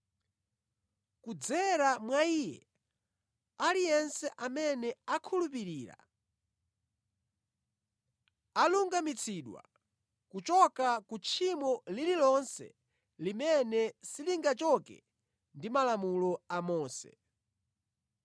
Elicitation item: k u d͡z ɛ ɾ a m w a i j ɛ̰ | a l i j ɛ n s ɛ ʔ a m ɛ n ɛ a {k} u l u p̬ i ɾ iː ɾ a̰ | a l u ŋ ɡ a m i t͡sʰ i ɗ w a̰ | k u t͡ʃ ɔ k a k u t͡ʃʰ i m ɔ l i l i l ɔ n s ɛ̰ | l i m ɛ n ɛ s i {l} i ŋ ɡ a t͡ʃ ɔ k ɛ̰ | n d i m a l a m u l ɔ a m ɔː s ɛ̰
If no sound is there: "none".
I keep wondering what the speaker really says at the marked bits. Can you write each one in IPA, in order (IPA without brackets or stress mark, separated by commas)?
kʰ, l